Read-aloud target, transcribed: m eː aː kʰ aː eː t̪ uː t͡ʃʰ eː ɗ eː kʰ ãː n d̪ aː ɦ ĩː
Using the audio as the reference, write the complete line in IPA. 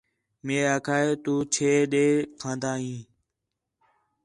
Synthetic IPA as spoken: m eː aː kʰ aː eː t̪ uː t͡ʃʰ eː ɗ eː kʰ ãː n d̪ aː ɦ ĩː